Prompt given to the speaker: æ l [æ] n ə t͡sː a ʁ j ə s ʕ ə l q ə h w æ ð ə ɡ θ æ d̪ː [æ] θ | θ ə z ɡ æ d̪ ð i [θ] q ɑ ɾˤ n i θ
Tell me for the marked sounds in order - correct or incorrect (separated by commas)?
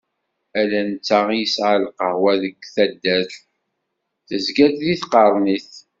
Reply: correct, correct, correct